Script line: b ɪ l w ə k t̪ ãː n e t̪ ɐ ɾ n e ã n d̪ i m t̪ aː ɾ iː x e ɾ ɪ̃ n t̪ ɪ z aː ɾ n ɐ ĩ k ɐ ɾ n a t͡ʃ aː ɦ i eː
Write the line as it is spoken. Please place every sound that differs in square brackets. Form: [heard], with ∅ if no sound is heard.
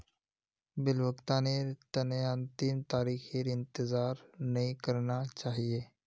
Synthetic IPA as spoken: b ɪ l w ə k t̪ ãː n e t̪ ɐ [∅] n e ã n [t̪] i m t̪ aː ɾ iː x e ɾ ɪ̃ n t̪ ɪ z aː ɾ n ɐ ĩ k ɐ ɾ n a t͡ʃ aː ɦ i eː